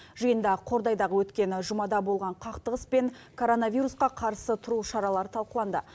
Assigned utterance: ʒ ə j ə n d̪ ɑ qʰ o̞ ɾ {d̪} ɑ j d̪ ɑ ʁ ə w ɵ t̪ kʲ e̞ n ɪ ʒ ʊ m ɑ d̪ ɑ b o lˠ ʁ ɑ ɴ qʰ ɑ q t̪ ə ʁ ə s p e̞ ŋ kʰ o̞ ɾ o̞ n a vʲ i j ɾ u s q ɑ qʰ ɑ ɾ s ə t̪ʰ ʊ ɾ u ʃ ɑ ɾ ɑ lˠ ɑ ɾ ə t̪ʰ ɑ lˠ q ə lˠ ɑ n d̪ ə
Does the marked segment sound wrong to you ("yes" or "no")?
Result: no